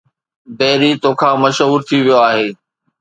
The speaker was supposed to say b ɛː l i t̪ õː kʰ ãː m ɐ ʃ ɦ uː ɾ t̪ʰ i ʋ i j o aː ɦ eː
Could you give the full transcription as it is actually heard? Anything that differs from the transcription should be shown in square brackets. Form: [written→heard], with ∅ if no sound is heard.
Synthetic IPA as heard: b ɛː [l→ɾ] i t̪ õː kʰ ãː m ɐ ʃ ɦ uː ɾ t̪ʰ i ʋ i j o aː ɦ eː